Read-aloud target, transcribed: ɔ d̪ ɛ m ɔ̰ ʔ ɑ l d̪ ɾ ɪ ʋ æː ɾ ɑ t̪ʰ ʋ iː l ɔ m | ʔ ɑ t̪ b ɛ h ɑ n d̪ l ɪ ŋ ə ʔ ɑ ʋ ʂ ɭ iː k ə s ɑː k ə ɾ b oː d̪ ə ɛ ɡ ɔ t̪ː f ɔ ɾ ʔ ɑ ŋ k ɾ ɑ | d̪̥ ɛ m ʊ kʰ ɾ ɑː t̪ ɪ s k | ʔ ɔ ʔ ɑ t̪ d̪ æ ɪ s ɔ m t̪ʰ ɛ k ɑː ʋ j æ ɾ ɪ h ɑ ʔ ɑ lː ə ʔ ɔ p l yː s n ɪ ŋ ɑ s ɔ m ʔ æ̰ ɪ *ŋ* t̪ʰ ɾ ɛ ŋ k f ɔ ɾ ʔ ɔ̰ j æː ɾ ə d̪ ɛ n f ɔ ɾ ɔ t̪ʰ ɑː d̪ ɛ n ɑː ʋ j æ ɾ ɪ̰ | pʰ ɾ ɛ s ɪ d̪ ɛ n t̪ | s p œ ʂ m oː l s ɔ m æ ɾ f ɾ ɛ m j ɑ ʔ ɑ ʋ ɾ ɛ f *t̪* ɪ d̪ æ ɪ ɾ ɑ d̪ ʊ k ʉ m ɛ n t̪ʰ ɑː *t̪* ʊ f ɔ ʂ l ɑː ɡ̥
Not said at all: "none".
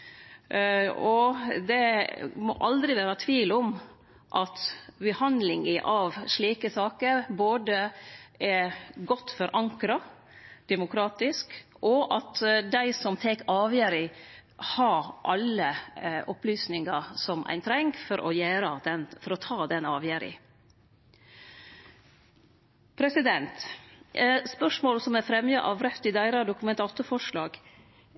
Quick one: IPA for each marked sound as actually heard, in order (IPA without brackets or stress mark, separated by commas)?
n, t̪, t̪